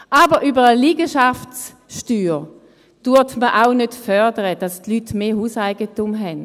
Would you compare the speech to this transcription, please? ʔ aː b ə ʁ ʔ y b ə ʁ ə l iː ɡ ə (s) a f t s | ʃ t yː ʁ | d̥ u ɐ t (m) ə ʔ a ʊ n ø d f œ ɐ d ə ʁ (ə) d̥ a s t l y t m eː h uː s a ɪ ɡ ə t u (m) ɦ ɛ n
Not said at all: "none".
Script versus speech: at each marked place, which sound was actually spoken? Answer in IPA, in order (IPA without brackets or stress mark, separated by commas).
ʃ, m, ə, m